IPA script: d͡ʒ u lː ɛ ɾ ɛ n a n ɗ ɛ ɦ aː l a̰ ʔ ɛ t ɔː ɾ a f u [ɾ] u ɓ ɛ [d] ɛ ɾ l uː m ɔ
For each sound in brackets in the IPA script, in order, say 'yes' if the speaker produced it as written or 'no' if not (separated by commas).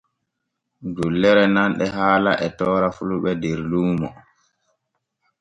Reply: no, yes